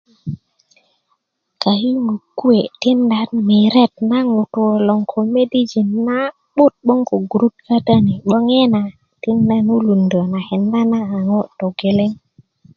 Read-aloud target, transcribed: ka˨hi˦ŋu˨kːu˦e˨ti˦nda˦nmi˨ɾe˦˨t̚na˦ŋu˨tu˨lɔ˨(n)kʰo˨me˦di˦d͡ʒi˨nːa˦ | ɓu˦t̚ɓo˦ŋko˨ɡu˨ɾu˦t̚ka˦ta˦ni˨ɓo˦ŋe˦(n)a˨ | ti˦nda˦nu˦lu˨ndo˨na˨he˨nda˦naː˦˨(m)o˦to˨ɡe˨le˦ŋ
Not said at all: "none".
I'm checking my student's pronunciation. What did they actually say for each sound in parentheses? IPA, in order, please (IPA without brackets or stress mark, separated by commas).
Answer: ŋ, n, ŋ